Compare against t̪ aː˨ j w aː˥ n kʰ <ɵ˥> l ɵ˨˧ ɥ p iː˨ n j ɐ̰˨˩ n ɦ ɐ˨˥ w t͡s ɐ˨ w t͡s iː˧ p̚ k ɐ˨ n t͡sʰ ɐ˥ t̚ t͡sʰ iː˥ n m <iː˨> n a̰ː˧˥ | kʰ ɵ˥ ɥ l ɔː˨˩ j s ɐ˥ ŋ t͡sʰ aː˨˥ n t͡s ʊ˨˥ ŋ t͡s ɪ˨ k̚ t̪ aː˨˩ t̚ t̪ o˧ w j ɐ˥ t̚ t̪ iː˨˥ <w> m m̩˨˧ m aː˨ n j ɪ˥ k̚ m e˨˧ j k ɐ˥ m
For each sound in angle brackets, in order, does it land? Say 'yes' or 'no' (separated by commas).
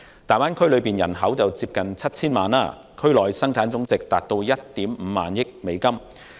yes, no, no